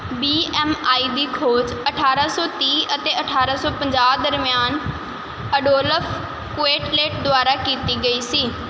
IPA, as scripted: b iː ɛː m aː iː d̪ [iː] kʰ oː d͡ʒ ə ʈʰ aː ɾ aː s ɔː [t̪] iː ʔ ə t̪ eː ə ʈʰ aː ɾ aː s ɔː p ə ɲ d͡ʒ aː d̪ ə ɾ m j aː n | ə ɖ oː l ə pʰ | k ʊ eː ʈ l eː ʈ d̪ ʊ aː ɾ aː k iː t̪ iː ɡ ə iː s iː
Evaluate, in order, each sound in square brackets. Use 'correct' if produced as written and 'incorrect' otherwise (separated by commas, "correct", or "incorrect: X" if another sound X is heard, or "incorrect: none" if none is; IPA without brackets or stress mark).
correct, correct